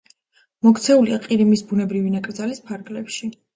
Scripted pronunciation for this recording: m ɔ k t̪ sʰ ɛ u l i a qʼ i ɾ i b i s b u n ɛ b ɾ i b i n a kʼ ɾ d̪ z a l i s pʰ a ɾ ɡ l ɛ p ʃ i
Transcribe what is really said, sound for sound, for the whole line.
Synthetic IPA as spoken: m ɔ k t̪ sʰ ɛ u l i a qʼ i ɾ i m i s b u n ɛ b ɾ i v i n a kʼ ɾ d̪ z a l i s pʰ a ɾ ɡ l ɛ p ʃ i